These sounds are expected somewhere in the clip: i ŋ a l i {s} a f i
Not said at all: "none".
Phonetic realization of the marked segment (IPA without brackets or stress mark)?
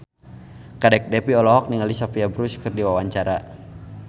s